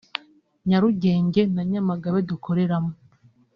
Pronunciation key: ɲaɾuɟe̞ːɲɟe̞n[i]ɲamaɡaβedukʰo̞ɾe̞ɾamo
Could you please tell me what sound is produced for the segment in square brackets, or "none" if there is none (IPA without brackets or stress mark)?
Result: a